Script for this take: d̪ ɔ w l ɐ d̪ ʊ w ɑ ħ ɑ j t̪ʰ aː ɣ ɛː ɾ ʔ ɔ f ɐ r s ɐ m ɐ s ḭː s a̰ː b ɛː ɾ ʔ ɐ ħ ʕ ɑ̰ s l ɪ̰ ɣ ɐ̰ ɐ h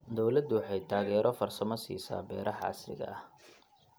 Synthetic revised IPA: d̪ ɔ w l ɐ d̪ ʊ w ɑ ħ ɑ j t̪ʰ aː ɣ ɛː ɾ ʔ ɔ f ɐ r s ɐ m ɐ s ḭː s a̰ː b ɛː ɾ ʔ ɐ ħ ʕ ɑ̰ s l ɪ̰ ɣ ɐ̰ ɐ h